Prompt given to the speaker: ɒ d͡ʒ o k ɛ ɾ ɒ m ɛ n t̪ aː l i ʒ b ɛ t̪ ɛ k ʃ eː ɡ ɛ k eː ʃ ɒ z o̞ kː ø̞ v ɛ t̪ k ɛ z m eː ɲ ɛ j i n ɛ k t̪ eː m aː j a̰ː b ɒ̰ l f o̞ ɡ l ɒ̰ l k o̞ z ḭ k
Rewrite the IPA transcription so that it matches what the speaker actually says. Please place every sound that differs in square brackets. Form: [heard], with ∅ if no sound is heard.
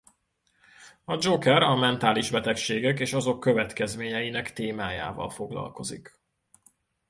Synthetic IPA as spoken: ɒ d͡ʒ o k ɛ ɾ ɒ m ɛ n t̪ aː l i ʒ b ɛ t̪ ɛ k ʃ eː ɡ ɛ k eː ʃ ɒ z o̞ kː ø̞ v ɛ t̪ k ɛ z m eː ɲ ɛ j i n ɛ k t̪ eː m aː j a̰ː [v] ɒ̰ l f o̞ ɡ l ɒ̰ l k o̞ z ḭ k